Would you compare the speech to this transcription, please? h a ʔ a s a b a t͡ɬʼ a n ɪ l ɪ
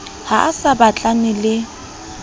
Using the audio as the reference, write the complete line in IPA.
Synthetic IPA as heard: h a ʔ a s a b a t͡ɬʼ a n ɪ l ɪ